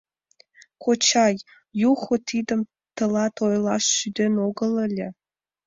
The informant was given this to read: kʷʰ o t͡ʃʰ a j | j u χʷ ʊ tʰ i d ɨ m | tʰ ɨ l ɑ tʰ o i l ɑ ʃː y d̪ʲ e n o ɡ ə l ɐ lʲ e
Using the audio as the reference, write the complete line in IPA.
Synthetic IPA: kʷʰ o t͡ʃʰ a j | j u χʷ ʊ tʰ i d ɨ m | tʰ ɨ l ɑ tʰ o j l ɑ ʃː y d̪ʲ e n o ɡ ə l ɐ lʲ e

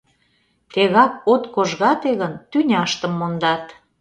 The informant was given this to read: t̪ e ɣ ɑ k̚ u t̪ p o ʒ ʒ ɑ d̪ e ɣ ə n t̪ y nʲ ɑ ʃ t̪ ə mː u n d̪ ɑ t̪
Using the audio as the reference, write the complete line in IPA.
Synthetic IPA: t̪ e ɣ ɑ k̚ o t̪ k o ʒ ɣ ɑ t̪ e ɣ ə n t̪ y nʲ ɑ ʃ t̪ ə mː o n d̪ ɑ t̪

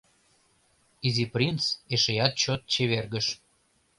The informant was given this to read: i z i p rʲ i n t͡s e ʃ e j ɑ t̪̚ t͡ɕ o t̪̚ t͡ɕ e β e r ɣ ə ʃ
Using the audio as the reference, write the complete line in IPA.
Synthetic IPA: i z i p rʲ i n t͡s e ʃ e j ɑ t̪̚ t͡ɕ o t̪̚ t͡ɕ e β e r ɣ ə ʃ

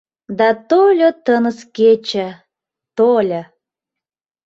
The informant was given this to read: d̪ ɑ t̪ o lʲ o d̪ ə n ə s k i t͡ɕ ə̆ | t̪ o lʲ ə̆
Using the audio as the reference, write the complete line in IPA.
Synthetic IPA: d̪ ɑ t̪ o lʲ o t̪ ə n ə s k e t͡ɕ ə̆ | t̪ o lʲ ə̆

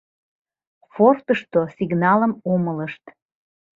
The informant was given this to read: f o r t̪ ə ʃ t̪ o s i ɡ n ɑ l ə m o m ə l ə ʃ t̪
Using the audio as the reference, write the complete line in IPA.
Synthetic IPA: f o r t̪ ə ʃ t̪ o s i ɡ n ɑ l ə m o m ə l ə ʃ t̪

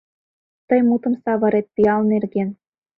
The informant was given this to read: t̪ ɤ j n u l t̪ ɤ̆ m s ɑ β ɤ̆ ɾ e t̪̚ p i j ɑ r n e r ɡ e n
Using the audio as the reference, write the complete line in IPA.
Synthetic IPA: t̪ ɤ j m u t̪ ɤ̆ m s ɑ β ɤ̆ ɾ e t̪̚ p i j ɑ l n e r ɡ e n

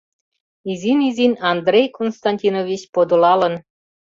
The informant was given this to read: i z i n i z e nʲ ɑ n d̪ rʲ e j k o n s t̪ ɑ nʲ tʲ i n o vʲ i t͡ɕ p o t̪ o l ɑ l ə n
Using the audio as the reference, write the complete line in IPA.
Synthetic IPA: i z i n i z i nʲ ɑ n d̪ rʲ e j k o n s t̪ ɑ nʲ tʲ i n o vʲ i t͡ɕ p o d̪ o l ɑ l ə n

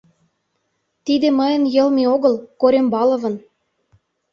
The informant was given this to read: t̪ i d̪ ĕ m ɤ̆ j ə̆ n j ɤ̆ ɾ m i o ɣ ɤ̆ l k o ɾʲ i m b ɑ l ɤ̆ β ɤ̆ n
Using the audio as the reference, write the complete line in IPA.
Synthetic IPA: t̪ i d̪ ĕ m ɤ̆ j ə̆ n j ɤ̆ l m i o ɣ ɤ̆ l k o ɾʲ e m b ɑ l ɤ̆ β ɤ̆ n

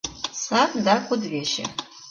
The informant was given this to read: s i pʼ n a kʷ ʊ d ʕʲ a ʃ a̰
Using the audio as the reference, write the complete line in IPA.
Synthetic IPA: s a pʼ d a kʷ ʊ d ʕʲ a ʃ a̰

